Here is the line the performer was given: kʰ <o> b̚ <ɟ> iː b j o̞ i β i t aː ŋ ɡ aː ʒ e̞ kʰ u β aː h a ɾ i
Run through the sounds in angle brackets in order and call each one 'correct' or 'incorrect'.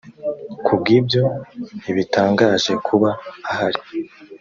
incorrect, incorrect

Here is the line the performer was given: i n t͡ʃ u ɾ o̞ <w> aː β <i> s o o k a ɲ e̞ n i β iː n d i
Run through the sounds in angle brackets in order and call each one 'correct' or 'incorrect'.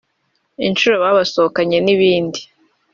incorrect, incorrect

